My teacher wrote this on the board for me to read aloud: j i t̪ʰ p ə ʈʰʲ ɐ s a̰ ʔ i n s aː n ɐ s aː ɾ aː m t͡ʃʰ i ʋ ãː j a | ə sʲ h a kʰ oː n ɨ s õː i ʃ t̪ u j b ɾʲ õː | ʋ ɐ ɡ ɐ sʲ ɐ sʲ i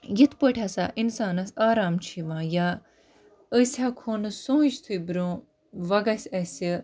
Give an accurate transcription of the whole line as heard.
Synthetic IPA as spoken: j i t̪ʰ p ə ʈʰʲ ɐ s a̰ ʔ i n s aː n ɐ s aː ɾ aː m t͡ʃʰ i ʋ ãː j a | ə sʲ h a kʰ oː n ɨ s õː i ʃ t̪ʰ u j b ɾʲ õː | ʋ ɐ ɡ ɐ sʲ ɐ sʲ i